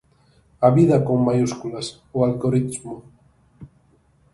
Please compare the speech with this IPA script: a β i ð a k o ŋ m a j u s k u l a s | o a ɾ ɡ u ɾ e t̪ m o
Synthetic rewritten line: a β i ð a k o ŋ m a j u s k u l a s | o a l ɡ o ɾ i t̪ m o